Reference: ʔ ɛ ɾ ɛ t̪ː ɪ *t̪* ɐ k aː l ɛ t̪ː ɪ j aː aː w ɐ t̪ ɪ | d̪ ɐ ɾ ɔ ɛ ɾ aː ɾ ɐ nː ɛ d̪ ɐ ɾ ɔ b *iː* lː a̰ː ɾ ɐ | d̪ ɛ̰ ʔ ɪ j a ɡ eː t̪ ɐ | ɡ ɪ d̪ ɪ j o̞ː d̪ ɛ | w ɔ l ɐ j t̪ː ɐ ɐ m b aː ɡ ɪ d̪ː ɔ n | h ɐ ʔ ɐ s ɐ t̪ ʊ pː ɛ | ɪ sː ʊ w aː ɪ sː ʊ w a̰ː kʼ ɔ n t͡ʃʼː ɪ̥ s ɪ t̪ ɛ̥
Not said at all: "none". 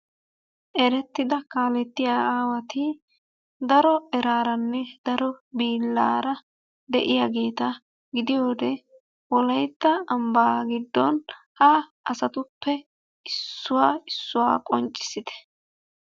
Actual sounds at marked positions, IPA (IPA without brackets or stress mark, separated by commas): d̪, iː